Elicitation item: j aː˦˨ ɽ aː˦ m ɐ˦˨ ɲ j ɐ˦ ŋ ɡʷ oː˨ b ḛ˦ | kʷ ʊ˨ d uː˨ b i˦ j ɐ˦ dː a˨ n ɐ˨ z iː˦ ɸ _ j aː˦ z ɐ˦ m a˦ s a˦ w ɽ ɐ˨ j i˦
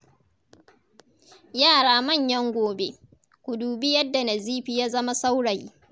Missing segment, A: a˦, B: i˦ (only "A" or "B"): B